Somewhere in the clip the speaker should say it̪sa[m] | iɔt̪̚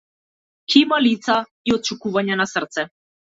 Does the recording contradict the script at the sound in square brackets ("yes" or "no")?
yes